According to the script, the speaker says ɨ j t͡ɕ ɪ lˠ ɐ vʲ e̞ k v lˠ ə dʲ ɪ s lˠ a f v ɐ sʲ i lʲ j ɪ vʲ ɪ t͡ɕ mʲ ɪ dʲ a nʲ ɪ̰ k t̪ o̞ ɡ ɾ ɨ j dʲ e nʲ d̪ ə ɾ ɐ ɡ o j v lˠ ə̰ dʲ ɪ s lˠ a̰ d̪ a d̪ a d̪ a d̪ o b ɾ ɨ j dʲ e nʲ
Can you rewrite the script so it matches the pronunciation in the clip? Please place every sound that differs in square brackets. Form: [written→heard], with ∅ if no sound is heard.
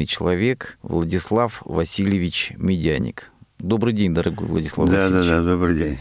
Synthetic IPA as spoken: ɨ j t͡ɕ ɪ lˠ ɐ vʲ e̞ k v lˠ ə dʲ ɪ s lˠ a f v ɐ sʲ i lʲ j ɪ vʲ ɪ t͡ɕ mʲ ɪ dʲ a nʲ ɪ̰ k [t̪→d̪] o̞ [ɡ→b] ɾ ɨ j dʲ e nʲ d̪ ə ɾ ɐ ɡ o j v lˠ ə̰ dʲ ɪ s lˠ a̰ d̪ a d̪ a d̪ a d̪ o b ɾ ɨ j dʲ e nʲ